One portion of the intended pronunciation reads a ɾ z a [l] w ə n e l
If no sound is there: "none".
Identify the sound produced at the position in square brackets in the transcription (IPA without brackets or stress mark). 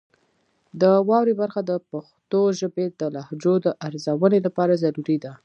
none